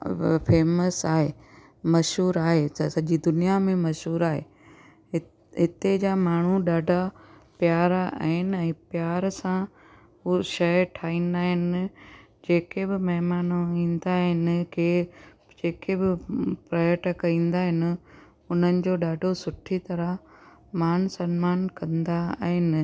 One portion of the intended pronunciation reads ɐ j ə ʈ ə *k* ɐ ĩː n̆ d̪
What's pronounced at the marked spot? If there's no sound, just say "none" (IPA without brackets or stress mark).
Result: k